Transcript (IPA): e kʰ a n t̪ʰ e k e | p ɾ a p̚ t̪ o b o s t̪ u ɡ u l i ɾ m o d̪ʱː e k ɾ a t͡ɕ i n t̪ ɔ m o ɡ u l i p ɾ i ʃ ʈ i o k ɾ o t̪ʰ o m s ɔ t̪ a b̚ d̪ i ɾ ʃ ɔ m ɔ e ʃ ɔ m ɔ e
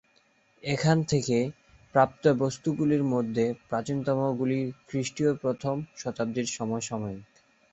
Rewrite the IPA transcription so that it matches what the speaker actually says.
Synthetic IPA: e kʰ a n t̪ʰ e k e | p ɾ a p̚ t̪ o b o s t̪ u ɡ u l i ɾ m o d̪ʱː e p ɾ a t͡ɕ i n t̪ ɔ m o ɡ u l i k ɾ i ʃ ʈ i o p ɾ o t̪ʰ o m ʃ ɔ t̪ a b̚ d̪ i ɾ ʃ ɔ m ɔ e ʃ ɔ m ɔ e